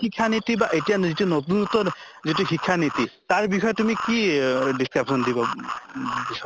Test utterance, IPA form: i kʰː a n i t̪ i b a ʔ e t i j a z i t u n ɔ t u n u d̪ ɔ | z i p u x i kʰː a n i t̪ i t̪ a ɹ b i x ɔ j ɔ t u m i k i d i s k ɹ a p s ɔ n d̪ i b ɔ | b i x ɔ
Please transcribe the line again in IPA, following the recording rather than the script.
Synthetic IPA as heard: i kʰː a n i t̪ i b a ʔ e t i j a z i t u n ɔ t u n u t̪ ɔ | z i t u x i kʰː a n i t̪ i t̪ a ɹ b i x ɔ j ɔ t u m i k i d i s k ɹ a p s ɔ n d̪ i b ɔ | b i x ɔ